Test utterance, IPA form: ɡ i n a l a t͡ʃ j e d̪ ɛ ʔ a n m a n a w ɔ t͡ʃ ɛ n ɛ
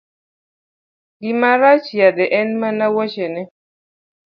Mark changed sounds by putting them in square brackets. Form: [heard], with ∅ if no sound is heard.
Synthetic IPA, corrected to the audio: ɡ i [m] a [ɾ] a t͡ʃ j [a] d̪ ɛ ʔ [ɛ] n m a n a w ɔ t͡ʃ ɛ n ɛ